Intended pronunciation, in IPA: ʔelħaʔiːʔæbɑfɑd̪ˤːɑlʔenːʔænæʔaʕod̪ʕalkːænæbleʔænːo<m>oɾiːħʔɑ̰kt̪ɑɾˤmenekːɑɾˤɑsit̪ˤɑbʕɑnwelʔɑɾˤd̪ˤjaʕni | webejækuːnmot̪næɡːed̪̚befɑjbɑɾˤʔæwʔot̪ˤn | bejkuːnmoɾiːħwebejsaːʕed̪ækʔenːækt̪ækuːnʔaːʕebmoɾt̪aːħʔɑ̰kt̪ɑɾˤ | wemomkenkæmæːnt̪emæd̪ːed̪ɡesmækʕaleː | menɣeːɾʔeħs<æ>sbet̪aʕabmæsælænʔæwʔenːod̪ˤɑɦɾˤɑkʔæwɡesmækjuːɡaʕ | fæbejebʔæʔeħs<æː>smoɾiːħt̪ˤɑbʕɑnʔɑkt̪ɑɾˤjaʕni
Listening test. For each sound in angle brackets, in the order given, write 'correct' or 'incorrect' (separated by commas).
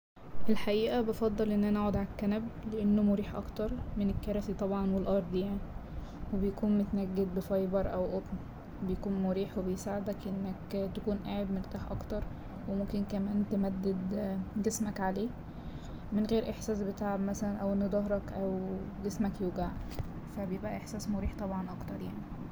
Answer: correct, incorrect, correct